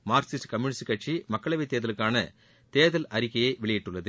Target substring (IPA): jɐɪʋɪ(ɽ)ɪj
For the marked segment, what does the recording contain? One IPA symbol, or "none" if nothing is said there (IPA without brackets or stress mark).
ɭ